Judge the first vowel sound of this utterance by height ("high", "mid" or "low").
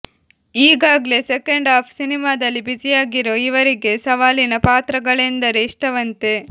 high